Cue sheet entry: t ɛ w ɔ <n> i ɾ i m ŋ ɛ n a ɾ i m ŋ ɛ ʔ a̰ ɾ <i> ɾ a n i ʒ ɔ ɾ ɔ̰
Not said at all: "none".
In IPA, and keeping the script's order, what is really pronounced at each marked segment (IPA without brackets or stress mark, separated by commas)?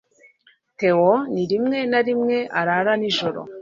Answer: n, a